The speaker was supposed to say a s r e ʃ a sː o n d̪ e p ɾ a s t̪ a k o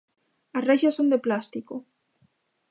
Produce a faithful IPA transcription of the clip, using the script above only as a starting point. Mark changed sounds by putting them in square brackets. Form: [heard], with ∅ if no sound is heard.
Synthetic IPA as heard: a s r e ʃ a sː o n d̪ e p [l] a s t̪ [i] k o

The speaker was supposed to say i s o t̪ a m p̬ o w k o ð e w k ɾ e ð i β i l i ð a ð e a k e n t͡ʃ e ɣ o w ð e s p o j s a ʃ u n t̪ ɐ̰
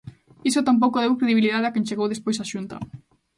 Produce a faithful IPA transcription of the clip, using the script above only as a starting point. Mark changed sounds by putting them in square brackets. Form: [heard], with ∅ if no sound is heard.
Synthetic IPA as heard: i s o t̪ a m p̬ o w k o ð e w k ɾ e ð i β i l i ð a ð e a k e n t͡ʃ e ɣ o w ð e s p o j s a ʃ u n t̪ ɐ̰

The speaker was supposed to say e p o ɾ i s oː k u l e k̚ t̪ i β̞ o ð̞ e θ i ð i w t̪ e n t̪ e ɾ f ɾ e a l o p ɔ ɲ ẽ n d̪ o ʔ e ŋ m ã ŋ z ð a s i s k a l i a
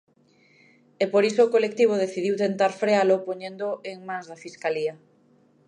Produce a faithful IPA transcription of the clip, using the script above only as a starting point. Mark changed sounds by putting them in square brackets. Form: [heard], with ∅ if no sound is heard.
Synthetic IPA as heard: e p o ɾ i s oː k [o] l e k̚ t̪ i β̞ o ð̞ e θ i ð i w t̪ e n t̪ [a] ɾ f ɾ e a l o p [o] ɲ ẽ n d̪ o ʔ e ŋ m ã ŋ z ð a [f] i s k a l i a

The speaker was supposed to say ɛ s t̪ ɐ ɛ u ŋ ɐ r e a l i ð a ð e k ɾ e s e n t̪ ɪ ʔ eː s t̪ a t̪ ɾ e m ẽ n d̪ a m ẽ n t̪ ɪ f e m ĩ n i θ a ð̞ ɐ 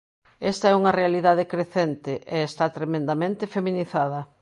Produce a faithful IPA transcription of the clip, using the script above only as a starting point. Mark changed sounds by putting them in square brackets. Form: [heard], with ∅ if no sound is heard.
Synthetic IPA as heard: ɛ s t̪ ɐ ɛ u ŋ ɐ r e a l i ð a ð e k ɾ e [θ] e n t̪ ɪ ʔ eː s t̪ a t̪ ɾ e m ẽ n d̪ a m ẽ n t̪ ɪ f e m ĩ n i θ a ð̞ ɐ

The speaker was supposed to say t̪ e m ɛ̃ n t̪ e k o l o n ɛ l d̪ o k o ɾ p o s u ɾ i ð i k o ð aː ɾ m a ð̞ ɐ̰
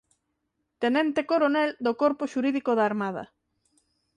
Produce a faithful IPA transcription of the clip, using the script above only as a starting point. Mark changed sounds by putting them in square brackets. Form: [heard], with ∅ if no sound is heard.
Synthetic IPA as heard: t̪ e [n] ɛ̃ n t̪ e k o [ɾ] o n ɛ l d̪ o k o ɾ p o [ʃ] u ɾ i ð i k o ð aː ɾ m a ð̞ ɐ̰

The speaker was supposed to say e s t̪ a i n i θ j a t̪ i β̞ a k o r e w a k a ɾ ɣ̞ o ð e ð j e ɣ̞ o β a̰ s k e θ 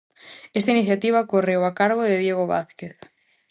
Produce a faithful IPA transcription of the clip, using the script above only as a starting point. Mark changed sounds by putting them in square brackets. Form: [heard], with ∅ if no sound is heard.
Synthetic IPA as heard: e s t̪ a i n i θ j a t̪ i β̞ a k o r e w a k a ɾ ɣ̞ o ð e ð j e ɣ̞ o β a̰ [θ] k e θ

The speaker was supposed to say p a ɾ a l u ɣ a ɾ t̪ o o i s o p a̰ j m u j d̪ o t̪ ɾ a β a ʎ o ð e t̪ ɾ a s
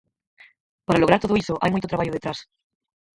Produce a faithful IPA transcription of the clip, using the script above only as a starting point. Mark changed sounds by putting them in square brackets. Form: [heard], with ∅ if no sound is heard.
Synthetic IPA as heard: p a ɾ a l [o] ɣ a ɾ t̪ o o i s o [ʔ] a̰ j m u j [t̪] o t̪ ɾ a β a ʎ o ð e t̪ ɾ a s

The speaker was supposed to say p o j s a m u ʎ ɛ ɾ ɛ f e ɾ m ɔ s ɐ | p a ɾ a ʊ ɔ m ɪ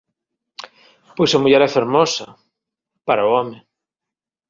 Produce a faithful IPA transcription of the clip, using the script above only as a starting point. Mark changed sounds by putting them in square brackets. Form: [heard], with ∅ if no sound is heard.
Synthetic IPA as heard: p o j s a m u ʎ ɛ ɾ ɛ f e ɾ m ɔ s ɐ | p a ɾ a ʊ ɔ m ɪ

